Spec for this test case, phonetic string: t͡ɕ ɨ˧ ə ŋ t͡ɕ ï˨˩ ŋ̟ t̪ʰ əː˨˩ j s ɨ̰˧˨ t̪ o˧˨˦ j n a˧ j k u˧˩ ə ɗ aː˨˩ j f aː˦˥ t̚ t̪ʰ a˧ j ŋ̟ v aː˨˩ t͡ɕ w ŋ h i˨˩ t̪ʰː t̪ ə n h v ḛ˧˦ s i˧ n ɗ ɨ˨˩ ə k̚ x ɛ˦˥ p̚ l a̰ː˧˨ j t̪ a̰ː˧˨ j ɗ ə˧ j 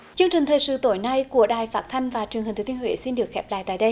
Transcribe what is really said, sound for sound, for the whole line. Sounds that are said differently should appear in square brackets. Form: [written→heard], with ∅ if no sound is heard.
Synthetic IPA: t͡ɕ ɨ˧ ə ŋ t͡ɕ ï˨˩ ŋ̟ t̪ʰ əː˨˩ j s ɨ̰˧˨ t̪ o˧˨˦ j n a˧ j k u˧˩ ə ɗ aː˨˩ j f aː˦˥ t̚ t̪ʰ a˧ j ŋ̟ v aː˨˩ t͡ɕ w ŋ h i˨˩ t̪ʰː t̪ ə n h [v→w] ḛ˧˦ s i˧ n ɗ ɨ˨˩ ə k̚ x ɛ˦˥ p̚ l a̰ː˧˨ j t̪ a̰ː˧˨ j ɗ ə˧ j

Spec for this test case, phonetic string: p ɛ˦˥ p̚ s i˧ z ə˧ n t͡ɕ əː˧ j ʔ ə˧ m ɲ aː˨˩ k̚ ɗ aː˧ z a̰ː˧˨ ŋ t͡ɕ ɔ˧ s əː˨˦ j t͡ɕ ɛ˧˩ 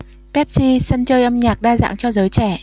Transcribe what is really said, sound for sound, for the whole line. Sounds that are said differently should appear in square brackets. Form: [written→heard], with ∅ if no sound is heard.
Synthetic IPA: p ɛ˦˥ p̚ s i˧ [z→s] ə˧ n t͡ɕ əː˧ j ʔ ə˧ m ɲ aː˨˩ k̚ ɗ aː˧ z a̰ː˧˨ ŋ t͡ɕ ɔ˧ [s→z] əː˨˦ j t͡ɕ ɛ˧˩

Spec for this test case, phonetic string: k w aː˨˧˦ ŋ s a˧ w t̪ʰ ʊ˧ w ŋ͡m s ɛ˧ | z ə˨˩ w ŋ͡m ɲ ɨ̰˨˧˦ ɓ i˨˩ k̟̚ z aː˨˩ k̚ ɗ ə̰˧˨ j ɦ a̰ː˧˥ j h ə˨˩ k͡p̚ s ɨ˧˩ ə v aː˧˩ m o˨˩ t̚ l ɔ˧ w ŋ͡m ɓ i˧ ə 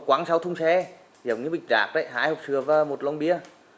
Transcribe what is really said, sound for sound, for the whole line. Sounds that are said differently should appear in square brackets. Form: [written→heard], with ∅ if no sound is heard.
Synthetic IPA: k w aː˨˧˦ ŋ s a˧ w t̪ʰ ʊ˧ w ŋ͡m s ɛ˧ | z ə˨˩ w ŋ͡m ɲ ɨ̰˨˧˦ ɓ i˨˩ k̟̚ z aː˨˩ k̚ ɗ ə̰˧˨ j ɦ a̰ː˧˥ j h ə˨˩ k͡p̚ s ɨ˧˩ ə v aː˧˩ m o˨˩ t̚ l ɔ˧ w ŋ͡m ɓ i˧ ə

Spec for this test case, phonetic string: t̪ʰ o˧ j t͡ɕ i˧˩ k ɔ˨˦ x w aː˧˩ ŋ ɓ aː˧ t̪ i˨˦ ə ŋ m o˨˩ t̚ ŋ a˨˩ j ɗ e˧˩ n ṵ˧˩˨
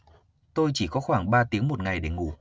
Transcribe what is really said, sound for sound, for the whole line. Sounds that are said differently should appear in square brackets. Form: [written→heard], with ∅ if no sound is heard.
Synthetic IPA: [t̪ʰ→t̪] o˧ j t͡ɕ i˧˩ k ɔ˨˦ x w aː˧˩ ŋ ɓ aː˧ t̪ i˨˦ ə ŋ m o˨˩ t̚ ŋ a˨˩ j ɗ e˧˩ [n→ŋ] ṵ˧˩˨

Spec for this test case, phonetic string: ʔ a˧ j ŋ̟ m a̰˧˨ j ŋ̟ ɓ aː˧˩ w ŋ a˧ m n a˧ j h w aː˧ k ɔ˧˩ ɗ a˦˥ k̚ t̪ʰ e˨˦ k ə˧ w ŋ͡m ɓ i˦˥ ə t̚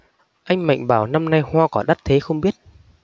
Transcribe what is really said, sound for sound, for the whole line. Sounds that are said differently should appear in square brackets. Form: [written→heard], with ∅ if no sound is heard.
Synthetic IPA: ʔ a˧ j ŋ̟ m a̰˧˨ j ŋ̟ ɓ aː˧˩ w [ŋ→n] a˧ m n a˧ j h w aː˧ k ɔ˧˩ ɗ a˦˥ [k̚→t̚] t̪ʰ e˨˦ [k→x] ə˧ w ŋ͡m ɓ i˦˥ ə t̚

